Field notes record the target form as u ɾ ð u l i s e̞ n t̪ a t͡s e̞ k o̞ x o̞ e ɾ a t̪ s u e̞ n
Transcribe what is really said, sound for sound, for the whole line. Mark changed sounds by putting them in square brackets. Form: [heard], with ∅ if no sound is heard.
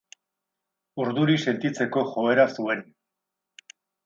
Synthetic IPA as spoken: u ɾ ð u [ɾ] i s e̞ n t̪ [i] t͡s e̞ k o̞ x o̞ e ɾ a [∅] s u e̞ n